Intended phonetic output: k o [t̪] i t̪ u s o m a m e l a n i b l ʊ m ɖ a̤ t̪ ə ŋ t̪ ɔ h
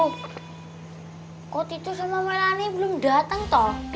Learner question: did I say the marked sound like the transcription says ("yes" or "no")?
yes